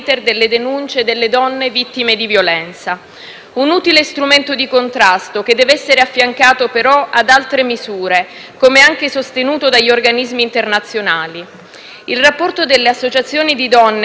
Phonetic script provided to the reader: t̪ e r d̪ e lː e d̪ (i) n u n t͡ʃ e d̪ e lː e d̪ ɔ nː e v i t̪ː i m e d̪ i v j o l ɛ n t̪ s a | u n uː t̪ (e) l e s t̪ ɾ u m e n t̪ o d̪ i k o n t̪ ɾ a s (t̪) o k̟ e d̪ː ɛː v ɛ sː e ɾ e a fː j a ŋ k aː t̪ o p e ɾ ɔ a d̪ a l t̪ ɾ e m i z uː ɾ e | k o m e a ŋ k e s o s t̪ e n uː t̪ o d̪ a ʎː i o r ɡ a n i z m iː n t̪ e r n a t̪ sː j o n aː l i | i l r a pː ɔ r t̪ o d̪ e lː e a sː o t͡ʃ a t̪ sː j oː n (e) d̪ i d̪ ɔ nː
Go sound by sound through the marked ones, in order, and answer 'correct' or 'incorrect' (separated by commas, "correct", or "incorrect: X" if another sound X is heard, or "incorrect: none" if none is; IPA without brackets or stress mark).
incorrect: e, incorrect: i, correct, incorrect: i